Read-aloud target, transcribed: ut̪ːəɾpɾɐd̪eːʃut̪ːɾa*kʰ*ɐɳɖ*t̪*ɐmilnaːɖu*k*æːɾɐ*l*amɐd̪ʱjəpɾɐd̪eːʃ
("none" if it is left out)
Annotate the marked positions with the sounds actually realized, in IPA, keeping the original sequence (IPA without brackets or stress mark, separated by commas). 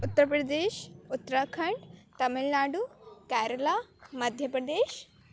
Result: kʰ, t̪, k, l